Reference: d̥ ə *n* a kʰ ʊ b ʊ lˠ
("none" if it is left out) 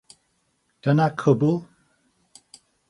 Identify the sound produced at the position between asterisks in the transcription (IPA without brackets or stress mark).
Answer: n